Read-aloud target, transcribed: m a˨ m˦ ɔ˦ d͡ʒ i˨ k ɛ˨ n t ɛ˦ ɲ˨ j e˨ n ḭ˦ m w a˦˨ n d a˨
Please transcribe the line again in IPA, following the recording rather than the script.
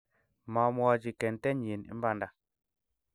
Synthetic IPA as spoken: m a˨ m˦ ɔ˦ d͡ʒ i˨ k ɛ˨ n t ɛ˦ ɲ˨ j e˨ n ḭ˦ m b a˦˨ n d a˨